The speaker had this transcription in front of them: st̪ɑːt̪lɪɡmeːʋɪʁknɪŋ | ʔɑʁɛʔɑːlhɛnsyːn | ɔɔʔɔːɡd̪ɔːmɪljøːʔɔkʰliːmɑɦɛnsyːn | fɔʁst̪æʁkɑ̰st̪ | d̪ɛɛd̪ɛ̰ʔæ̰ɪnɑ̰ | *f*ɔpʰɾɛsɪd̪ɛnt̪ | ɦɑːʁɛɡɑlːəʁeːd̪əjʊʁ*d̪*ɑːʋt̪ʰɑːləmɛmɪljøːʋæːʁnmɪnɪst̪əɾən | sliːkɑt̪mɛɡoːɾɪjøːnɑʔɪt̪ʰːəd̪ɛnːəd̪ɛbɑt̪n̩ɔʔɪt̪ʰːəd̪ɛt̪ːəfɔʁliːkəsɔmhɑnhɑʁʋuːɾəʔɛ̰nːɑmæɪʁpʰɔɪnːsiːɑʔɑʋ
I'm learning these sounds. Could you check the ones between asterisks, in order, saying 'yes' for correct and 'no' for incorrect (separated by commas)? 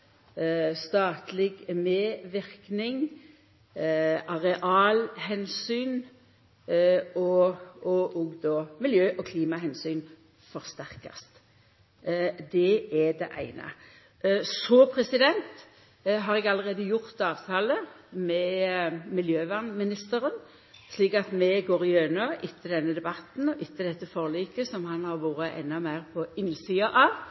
no, no